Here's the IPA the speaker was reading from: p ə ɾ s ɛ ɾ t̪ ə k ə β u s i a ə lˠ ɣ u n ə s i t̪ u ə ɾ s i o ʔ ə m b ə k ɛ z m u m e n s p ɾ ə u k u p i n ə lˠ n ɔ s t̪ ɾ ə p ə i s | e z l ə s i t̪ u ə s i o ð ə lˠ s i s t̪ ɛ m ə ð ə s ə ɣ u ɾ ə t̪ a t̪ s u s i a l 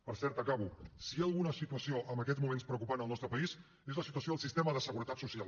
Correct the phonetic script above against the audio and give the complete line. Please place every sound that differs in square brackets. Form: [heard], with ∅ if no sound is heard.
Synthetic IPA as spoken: p ə ɾ s ɛ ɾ t̪ ə k [a] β u s i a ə lˠ ɣ u n ə s i t̪ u ə [∅] s i o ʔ ə m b ə k ɛ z m u m e n s p ɾ ə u k u p [a] n ə lˠ n ɔ s t̪ ɾ ə p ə i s | e z l ə s i t̪ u ə s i o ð ə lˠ s i s t̪ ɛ m ə ð ə s ə ɣ u ɾ ə t̪ a t̪ s u s i a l